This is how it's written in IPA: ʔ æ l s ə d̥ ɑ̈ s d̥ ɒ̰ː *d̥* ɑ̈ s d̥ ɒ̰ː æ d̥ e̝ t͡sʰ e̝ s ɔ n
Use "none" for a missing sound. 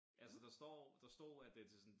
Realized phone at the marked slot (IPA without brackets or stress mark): d̥